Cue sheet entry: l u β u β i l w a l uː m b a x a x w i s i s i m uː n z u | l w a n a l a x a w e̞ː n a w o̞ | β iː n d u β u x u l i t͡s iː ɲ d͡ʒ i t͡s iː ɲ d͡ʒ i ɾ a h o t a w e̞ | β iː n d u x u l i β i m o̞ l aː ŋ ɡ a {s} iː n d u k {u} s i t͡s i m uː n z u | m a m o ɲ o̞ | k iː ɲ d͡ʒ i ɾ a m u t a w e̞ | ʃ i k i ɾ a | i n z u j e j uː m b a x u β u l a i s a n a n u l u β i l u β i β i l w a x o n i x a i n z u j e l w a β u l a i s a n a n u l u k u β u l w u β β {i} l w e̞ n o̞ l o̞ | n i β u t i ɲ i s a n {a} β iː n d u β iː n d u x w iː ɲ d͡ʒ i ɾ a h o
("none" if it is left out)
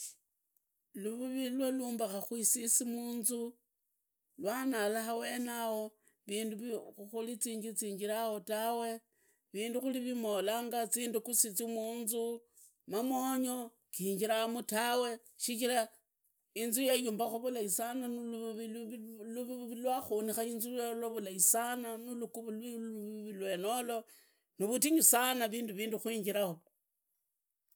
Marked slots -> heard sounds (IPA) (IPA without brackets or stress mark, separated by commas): t͡s, u, i, a